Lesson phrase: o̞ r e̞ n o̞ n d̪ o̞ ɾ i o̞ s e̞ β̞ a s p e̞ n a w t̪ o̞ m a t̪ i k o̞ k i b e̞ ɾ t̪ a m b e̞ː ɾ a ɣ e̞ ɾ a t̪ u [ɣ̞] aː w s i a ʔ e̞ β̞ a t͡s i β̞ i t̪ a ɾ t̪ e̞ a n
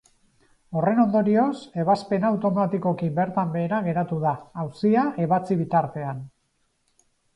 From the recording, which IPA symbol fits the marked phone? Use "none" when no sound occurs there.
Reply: ð̞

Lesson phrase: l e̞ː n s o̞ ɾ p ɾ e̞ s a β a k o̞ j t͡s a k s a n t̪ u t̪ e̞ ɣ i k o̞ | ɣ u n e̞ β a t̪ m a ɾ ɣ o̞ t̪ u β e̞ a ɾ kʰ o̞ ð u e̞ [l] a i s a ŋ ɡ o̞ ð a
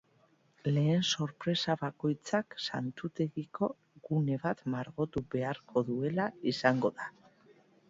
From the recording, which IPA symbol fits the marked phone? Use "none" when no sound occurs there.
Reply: l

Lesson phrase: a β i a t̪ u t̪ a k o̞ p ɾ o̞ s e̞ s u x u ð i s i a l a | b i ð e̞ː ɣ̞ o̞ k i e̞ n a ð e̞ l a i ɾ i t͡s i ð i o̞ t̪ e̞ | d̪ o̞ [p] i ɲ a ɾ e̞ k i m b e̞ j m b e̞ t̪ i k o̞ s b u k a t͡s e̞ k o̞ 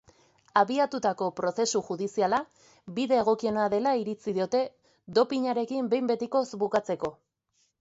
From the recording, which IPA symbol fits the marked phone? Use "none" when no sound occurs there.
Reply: p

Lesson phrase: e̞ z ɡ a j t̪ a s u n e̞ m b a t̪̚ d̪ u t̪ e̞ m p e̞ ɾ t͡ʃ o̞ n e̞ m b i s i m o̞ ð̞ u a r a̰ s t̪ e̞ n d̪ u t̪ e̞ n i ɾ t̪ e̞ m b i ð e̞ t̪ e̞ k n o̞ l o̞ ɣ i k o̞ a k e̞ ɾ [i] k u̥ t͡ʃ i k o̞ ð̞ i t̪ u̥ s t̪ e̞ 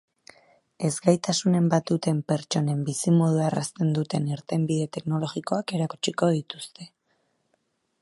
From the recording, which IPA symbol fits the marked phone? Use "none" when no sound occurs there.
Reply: a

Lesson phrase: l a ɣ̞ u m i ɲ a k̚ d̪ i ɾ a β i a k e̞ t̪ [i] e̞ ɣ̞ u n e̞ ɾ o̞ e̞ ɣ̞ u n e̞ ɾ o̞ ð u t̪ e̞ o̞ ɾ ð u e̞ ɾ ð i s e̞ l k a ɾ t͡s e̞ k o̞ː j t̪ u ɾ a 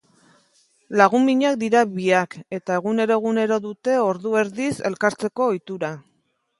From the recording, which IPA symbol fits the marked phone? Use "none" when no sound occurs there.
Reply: a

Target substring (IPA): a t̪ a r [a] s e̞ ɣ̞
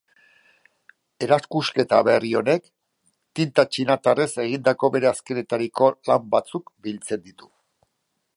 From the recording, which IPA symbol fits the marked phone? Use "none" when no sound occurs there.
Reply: e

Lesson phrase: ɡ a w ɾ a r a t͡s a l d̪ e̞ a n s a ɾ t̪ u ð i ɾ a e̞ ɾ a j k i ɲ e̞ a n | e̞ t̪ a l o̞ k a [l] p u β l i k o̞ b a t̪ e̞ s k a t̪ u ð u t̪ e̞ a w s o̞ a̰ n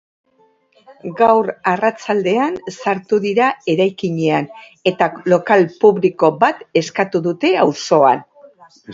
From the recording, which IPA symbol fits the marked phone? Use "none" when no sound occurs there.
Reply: l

